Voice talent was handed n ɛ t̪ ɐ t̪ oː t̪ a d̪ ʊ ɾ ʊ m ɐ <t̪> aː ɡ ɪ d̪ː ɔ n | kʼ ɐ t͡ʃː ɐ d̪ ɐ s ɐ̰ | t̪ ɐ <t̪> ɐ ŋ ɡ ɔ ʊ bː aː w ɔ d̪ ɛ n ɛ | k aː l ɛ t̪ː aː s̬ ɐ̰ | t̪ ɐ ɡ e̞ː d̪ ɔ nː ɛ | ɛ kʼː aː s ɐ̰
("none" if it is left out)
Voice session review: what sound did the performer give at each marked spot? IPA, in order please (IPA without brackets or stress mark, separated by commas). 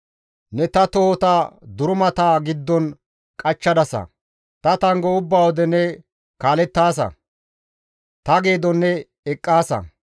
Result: t̪, t̪